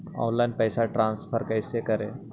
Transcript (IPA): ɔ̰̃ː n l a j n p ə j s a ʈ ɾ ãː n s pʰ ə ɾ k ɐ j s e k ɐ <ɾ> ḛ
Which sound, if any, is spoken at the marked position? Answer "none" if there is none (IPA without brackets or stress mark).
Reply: ɾ